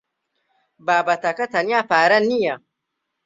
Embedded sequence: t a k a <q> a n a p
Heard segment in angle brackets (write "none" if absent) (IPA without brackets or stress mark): t